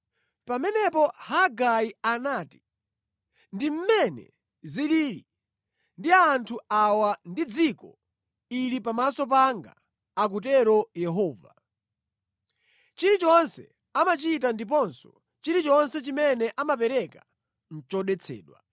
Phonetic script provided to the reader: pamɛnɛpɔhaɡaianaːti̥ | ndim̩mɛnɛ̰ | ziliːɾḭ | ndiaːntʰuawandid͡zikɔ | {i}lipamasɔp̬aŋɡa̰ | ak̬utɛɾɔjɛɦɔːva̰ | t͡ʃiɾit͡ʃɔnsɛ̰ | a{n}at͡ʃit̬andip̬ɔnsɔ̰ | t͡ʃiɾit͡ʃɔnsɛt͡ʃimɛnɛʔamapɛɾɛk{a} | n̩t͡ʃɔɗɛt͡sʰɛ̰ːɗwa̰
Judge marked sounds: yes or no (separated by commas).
yes, no, yes